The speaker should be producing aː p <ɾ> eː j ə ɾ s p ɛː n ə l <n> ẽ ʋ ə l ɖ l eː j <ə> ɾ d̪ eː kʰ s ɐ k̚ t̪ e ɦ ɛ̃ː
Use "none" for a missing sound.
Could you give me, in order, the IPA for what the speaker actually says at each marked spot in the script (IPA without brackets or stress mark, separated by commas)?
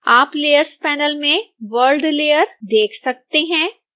l, m, ə